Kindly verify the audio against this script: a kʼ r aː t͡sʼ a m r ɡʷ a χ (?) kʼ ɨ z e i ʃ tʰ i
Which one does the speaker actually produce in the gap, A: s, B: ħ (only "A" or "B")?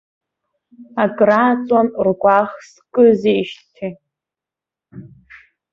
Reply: A